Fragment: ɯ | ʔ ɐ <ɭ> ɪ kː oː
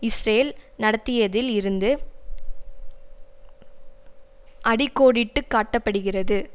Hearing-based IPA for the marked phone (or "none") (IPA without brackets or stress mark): ɽ